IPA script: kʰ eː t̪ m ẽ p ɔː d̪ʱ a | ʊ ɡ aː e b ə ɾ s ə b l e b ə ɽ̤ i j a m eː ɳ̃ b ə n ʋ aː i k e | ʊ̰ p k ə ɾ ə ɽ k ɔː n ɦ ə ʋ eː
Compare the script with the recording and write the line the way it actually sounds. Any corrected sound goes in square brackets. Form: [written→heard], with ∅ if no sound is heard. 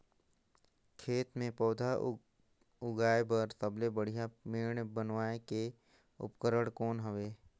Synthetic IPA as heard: kʰ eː t̪ m ẽ p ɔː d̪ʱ a | ʊ ɡ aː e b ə ɾ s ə b l e b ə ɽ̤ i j a m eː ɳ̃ b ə n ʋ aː [i→e] k e | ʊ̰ p k ə ɾ ə ɽ k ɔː n ɦ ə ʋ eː